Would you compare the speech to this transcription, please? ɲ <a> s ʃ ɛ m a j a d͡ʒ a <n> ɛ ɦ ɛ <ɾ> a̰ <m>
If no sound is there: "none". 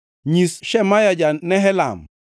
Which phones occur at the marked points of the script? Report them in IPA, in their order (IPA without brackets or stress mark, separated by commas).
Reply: i, n, l, m